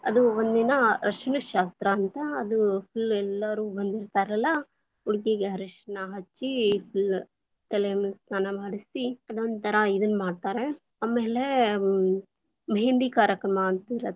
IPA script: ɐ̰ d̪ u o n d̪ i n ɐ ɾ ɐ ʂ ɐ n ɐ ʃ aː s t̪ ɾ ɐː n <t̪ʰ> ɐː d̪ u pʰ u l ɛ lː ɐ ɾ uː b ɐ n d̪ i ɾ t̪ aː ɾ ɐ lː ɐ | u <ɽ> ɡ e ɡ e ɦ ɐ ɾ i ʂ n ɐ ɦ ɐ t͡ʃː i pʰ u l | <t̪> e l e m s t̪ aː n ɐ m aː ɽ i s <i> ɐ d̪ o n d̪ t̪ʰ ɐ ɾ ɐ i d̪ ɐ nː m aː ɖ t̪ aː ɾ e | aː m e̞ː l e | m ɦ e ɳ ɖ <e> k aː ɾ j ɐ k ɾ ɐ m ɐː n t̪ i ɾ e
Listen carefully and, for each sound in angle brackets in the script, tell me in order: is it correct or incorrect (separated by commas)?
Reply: incorrect, correct, correct, correct, incorrect